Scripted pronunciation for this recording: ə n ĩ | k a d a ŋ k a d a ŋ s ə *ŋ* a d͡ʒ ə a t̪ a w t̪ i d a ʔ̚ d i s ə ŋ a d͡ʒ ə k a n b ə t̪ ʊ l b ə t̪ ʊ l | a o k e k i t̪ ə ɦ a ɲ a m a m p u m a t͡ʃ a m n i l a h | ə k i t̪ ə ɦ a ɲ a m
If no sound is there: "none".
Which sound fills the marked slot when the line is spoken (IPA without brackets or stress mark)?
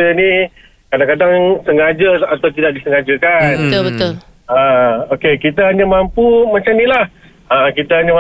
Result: ŋ